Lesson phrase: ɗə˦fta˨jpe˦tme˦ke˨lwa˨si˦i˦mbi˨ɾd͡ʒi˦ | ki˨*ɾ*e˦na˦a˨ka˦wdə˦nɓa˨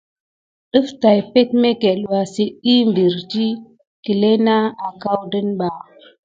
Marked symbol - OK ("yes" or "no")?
no